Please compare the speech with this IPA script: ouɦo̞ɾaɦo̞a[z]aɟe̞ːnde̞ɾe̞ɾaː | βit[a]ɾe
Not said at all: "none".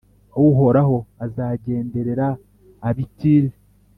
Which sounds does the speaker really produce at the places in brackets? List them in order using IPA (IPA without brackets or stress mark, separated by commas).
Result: z, i